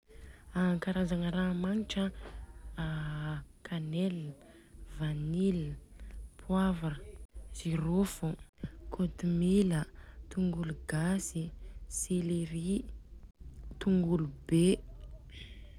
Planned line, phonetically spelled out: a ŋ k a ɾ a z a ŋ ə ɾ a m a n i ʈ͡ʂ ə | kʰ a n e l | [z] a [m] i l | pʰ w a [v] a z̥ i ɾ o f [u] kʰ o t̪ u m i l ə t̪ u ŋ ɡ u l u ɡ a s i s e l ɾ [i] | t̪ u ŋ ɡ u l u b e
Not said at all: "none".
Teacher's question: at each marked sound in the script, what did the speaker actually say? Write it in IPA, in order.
v, n, v, u, i

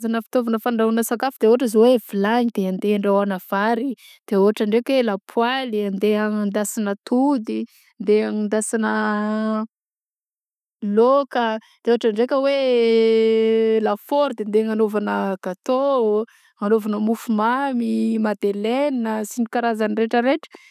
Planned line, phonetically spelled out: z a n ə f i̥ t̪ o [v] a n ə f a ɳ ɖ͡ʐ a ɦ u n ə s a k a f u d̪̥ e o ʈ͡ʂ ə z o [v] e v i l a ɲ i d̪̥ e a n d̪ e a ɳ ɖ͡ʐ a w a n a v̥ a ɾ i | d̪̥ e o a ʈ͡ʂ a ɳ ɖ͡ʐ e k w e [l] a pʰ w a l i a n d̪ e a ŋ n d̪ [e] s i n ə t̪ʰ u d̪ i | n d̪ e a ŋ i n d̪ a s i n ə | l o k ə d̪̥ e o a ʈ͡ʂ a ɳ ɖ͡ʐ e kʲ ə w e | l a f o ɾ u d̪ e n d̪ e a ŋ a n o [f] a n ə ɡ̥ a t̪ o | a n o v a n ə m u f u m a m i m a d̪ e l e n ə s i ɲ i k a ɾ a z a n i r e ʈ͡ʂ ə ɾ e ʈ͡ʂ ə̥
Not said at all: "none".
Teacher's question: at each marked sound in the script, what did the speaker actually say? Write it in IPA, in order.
v, w, l, a, v

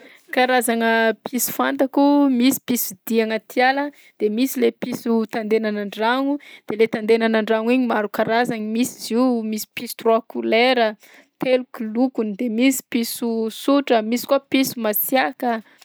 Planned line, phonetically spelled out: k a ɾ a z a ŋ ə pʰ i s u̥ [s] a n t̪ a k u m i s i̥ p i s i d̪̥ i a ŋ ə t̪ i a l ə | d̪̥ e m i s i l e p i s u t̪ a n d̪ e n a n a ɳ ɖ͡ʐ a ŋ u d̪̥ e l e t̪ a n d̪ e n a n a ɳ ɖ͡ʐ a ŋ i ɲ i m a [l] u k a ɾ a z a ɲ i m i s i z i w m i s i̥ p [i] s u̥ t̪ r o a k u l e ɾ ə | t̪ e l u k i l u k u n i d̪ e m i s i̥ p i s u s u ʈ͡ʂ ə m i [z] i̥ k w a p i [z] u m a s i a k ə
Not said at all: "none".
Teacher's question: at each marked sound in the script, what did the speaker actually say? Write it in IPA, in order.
f, ɾ, i, s, s

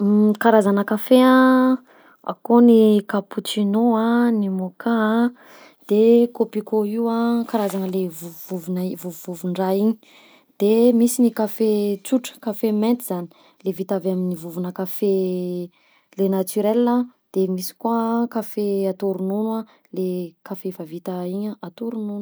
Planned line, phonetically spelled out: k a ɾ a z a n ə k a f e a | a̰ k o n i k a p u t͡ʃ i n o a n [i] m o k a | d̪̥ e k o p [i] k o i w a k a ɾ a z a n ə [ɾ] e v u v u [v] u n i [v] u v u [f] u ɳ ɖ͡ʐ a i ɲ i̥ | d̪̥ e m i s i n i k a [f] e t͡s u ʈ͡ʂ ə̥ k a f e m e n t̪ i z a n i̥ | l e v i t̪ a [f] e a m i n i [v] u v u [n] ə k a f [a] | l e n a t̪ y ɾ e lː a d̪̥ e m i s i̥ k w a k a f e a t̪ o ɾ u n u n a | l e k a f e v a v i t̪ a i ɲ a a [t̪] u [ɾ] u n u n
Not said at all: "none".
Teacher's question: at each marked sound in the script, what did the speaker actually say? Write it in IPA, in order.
i, i, l, v, v, v, f, v, v, n, e, t̪, ɾ

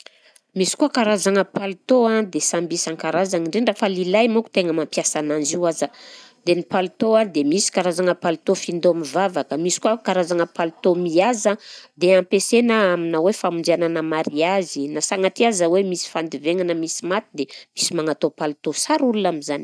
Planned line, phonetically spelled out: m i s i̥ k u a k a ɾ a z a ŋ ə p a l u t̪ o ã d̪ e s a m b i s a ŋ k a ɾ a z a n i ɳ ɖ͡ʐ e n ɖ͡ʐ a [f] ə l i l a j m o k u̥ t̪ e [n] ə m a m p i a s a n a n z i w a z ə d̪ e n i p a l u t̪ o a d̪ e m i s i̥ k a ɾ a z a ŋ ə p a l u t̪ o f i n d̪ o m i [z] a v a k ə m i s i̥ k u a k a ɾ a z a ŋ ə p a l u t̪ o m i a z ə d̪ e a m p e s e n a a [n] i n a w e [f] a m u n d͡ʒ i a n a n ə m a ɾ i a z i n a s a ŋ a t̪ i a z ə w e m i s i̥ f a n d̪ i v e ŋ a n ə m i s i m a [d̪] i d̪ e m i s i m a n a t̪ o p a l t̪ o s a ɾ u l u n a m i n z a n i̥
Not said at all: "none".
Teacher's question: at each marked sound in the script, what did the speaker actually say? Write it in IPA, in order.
f, ŋ, v, m, f, t̪

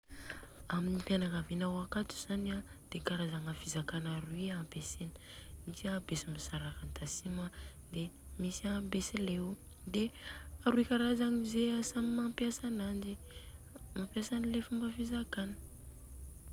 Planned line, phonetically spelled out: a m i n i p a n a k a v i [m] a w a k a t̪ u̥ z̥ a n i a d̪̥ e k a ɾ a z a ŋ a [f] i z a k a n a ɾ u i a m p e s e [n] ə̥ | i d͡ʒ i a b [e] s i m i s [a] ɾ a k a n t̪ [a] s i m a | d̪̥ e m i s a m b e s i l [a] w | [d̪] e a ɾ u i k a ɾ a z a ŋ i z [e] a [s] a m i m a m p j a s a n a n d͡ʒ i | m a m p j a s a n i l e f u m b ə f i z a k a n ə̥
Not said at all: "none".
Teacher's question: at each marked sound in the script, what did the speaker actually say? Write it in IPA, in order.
n, f, n, e, a, a, e, d̪, e, s

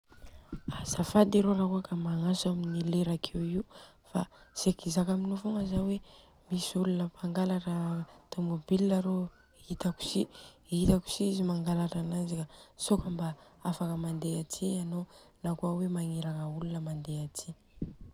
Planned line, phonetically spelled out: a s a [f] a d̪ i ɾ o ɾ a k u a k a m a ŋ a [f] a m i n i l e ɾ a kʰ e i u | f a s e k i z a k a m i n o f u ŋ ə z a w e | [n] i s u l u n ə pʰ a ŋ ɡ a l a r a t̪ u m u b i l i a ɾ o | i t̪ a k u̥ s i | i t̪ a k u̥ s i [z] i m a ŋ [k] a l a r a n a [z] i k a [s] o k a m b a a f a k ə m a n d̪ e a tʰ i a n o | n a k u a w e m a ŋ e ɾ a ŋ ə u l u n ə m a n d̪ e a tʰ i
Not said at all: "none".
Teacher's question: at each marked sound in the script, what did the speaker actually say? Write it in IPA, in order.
f, s, m, z, ɡ, z, s

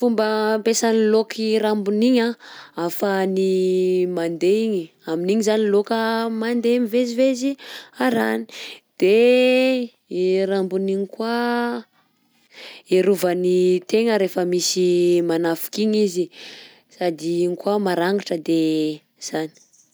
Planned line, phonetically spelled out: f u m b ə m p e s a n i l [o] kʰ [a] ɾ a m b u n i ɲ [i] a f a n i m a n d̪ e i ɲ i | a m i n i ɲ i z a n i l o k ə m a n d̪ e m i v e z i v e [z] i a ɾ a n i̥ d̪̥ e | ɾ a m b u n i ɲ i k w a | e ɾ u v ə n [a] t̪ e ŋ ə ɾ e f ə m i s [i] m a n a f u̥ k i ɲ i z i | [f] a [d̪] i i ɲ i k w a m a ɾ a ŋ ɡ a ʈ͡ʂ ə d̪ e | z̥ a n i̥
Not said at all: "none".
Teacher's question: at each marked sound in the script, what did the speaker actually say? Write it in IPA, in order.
o, i, a, z, i, i, s, d̪

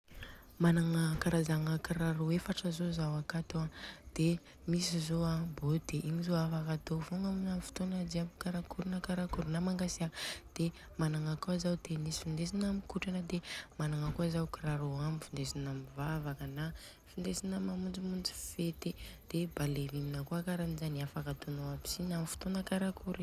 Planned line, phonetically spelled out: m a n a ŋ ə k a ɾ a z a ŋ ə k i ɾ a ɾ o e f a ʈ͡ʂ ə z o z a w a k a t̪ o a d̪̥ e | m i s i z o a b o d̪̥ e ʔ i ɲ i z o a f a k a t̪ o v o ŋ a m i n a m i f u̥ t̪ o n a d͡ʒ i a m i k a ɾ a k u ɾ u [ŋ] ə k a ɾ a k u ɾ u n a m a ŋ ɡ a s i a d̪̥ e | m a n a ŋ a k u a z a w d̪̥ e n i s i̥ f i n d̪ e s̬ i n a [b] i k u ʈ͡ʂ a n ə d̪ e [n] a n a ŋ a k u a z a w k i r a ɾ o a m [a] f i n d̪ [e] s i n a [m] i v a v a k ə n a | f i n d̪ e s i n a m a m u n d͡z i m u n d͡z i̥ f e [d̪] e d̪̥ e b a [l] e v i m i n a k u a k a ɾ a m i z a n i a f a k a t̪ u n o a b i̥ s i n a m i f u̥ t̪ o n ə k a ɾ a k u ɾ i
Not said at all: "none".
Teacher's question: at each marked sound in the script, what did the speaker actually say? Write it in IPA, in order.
n, m, m, i, e, m, t̪, l

